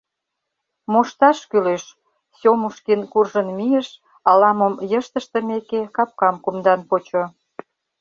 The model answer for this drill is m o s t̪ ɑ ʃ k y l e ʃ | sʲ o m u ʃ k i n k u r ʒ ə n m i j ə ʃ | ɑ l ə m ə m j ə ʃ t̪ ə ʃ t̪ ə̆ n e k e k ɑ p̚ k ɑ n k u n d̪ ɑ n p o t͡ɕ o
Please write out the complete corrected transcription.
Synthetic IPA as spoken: m o ʃ t̪ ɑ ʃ k y l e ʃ | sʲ o m u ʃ k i n k u r ʒ ə n m i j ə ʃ | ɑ l ɑ m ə m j ə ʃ t̪ ə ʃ t̪ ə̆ m e k e k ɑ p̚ k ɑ m k u m d̪ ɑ n p o t͡ɕ o